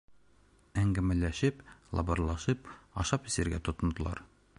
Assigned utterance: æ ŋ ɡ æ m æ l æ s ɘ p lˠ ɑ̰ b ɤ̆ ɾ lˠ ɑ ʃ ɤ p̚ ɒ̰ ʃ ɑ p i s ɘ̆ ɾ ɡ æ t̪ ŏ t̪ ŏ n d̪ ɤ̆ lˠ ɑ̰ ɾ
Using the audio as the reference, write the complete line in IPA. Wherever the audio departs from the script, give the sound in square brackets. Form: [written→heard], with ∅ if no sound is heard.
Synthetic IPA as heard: æ ŋ ɡ æ m æ l æ [s→ʃ] ɘ p lˠ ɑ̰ b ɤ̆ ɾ lˠ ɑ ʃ ɤ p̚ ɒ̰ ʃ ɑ p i s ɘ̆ ɾ ɡ æ t̪ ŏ t̪ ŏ n d̪ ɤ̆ lˠ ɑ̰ ɾ